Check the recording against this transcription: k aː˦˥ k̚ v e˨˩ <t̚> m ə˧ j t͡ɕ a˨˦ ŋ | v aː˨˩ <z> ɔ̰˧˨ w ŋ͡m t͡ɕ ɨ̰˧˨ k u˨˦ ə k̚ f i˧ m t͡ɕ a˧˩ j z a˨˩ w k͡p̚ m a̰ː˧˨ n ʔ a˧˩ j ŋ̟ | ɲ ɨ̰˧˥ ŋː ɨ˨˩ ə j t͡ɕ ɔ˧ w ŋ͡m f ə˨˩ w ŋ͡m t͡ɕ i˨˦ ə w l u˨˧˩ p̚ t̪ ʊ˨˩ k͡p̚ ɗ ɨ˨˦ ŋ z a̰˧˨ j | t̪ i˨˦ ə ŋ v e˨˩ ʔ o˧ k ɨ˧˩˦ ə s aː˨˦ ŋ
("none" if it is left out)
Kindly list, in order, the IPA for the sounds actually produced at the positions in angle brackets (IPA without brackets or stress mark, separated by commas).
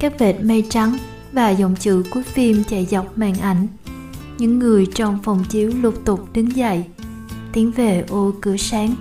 t̚, z